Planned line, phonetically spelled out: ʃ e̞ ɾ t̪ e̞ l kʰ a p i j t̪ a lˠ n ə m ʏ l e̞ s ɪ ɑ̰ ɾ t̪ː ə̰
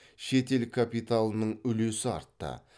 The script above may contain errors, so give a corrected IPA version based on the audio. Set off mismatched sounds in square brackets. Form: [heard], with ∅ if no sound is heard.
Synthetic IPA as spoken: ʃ e̞ [∅] t̪ e̞ l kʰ a p i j t̪ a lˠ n ə [ɴ] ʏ l e̞ s ɪ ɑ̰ ɾ t̪ː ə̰